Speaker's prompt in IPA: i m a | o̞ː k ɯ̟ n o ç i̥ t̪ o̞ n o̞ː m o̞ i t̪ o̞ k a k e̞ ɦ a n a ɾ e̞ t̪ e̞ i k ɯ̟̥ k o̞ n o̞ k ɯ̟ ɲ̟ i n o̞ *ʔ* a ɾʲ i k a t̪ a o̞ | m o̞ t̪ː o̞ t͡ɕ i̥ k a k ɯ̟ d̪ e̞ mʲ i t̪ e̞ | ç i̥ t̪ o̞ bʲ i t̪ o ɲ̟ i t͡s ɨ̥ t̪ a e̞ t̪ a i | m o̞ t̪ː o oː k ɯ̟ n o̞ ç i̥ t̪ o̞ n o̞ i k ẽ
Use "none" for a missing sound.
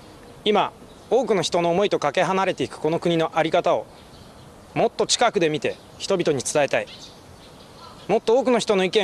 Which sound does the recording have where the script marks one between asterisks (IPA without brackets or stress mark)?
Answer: ʔ